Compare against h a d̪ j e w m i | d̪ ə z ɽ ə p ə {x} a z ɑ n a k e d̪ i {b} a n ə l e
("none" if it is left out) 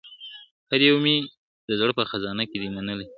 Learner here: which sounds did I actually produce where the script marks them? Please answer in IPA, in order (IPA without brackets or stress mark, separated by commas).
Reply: x, m